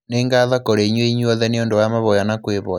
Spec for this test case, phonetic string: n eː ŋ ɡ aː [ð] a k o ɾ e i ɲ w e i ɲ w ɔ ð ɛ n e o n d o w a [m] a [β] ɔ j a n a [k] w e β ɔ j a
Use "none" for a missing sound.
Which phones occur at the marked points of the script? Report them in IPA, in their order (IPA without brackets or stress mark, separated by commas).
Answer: ð, m, β, k